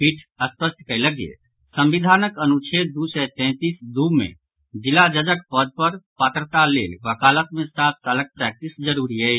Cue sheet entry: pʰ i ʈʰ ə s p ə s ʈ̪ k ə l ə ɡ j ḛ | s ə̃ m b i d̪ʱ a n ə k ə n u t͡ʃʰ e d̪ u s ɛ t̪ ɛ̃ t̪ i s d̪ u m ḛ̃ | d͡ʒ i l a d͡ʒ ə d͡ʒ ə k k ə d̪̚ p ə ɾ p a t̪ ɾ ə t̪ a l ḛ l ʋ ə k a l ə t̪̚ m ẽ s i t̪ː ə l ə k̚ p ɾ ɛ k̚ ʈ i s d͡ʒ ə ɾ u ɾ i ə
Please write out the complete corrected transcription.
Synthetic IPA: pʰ i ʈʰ ə s p ə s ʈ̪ k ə l ə ɡ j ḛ | s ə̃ m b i d̪ʱ a n ə k ə n u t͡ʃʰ e d̪ u s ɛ t̪ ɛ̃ t̪ i s d̪ u m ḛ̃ | d͡ʒ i l a d͡ʒ ə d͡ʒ ə k p ə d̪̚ p ə ɾ p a t̪ ɾ ə t̪ a l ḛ l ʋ ə k a l ə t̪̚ m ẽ s a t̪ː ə l ə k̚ p ɾ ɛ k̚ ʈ i s d͡ʒ ə ɾ u ɾ i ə